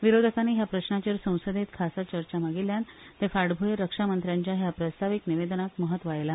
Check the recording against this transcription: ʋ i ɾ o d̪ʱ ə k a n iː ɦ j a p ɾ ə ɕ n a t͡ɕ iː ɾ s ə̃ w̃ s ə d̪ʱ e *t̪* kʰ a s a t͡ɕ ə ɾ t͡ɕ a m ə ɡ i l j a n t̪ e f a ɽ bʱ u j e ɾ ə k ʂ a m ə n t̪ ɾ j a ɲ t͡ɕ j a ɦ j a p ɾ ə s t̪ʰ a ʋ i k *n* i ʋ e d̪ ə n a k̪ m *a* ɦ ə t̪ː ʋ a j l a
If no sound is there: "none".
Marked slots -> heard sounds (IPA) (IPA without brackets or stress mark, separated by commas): t̪, n, ə